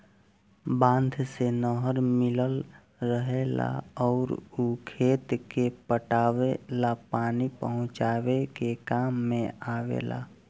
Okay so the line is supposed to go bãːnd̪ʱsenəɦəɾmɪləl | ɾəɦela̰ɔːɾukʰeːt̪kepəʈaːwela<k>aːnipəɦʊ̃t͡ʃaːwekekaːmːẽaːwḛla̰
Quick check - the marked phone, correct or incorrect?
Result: incorrect